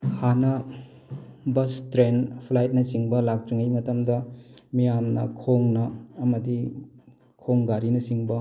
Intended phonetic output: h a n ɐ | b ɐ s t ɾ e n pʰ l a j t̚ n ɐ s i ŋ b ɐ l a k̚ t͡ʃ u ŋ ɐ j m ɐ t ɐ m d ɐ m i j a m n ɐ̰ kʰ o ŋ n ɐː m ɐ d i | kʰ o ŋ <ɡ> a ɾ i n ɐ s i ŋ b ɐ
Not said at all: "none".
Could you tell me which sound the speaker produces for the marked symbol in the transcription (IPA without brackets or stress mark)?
ɡ